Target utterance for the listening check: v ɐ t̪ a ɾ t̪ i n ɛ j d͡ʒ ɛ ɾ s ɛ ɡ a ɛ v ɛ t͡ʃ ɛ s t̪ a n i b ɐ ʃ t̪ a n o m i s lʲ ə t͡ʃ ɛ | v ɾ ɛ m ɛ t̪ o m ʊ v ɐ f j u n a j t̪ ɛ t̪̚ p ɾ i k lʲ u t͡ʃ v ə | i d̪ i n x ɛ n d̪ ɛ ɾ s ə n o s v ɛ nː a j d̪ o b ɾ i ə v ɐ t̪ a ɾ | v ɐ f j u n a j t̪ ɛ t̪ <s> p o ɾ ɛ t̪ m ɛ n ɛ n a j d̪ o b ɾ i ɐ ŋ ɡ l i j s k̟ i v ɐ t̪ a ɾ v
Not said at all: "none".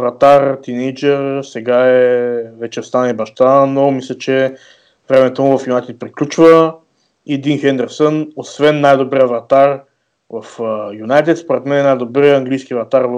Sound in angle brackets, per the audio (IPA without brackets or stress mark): s